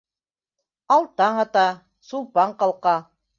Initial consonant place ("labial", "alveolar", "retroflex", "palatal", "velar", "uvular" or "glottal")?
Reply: alveolar